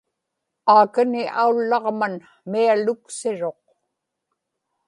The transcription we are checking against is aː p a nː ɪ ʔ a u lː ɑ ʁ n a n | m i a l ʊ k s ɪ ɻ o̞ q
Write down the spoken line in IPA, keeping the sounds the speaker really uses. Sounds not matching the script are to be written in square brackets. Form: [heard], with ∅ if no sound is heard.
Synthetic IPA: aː [k] a [n] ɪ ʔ a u lː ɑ ʁ [m] a n | m i a l ʊ k s ɪ ɻ o̞ q